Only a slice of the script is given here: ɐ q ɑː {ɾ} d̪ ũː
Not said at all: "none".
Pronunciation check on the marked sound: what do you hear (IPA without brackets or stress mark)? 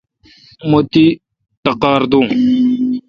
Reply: ɾ